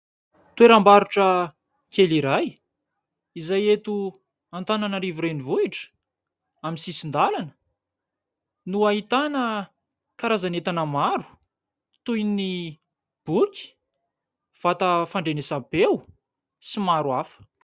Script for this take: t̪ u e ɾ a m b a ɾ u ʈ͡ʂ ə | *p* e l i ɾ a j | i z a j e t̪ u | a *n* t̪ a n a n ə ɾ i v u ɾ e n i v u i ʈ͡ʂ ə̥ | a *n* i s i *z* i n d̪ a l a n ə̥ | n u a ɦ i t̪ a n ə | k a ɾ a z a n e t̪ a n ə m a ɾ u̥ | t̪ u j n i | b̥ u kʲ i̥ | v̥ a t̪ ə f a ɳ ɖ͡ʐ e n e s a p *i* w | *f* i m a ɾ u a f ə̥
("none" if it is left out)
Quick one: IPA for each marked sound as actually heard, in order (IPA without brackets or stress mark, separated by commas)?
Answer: k, n, m, s, e, s